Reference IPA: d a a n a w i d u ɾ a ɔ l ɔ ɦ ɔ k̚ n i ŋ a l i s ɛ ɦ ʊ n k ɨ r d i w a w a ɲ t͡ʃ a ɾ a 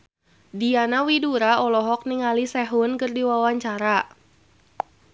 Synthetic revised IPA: d i a n a w i d u ɾ a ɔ l ɔ ɦ ɔ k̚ n i ŋ a l i s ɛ ɦ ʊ n k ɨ r d i w a w a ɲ t͡ʃ a ɾ a